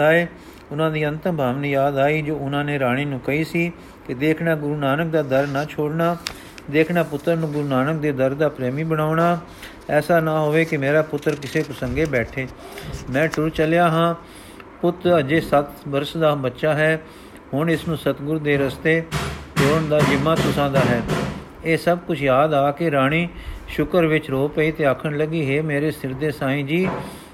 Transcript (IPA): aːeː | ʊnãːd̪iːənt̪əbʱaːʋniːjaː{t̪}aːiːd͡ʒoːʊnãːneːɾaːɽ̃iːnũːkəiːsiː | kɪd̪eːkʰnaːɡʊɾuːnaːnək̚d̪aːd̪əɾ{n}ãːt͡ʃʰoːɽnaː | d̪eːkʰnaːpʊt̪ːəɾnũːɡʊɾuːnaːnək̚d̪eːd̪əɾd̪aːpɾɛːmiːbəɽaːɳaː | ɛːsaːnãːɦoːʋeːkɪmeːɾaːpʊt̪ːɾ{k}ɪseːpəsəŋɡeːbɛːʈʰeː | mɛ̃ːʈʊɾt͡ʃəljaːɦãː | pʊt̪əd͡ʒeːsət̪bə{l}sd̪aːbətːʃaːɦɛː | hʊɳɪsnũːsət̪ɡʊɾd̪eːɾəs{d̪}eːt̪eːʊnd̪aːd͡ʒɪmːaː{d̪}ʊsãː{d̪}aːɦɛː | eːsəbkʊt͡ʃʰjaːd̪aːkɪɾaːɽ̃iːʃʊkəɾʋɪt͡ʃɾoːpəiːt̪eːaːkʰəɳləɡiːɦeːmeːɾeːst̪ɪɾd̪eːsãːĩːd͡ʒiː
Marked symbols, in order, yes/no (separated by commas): no, yes, yes, no, no, no, yes